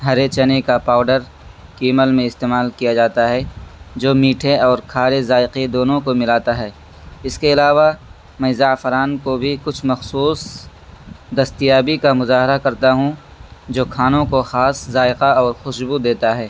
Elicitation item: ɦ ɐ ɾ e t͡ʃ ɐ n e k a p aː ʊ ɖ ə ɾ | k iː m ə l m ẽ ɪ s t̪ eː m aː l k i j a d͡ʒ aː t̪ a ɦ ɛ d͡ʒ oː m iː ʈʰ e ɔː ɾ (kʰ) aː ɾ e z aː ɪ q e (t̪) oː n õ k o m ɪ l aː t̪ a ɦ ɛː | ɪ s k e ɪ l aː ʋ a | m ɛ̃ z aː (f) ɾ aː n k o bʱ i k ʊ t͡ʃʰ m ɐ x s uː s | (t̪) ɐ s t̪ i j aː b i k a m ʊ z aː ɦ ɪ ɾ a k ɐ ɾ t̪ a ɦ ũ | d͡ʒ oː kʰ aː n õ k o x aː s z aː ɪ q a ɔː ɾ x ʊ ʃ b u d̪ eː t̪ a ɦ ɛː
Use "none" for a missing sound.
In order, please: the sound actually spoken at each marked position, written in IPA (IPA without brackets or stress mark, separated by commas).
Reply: kʰ, d̪, f, d̪